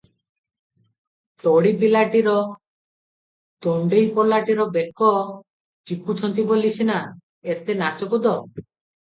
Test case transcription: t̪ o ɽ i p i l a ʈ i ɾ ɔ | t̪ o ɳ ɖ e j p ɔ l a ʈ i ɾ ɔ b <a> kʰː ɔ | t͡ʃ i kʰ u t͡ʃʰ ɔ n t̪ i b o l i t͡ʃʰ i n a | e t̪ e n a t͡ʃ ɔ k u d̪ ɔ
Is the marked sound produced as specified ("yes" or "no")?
no